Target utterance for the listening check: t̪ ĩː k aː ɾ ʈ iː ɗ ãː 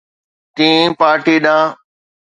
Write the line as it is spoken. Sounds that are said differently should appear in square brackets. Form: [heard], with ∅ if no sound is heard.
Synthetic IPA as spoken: t̪ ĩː [p] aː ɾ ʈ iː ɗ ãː